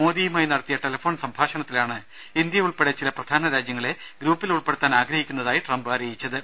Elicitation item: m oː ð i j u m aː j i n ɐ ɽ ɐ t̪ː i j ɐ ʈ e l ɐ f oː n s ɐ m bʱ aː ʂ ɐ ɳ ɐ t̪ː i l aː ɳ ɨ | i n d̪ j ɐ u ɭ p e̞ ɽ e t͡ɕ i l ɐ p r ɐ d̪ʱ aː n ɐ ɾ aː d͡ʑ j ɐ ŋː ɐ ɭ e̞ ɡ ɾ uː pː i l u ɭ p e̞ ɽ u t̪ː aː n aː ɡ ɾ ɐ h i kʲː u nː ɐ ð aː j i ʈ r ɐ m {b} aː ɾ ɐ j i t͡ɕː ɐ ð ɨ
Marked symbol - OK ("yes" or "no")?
yes